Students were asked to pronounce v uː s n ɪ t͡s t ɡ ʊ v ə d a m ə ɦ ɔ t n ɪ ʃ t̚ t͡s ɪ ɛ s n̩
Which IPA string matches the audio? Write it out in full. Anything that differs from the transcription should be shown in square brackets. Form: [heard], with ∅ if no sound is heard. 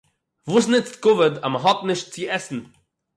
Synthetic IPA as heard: v uː s n ɪ t͡s t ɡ ʊ v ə d a m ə ɦ ɔ t n ɪ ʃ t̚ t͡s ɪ ɛ s n̩